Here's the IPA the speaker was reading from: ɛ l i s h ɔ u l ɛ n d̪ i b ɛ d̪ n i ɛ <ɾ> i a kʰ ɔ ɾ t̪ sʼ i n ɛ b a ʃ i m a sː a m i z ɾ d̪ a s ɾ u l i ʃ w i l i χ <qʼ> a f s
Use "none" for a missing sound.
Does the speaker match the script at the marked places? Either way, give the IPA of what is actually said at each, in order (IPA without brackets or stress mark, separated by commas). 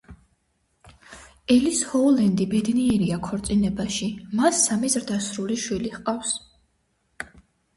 ɾ, qʼ